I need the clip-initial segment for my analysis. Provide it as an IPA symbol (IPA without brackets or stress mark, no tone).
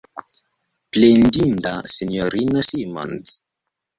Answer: p